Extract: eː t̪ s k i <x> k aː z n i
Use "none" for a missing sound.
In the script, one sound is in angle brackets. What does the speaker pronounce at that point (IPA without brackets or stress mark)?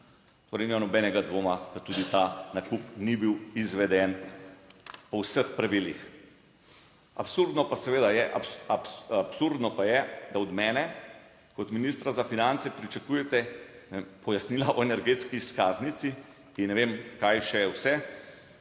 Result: s